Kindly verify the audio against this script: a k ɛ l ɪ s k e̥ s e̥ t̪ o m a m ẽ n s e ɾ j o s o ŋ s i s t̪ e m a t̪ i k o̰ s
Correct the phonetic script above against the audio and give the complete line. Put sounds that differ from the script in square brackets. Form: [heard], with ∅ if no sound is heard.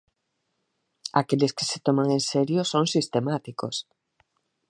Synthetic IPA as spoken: a k [e] l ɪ s k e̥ s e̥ t̪ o m a [ŋ] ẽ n s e ɾ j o s o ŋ s i s t̪ e m a t̪ i k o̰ s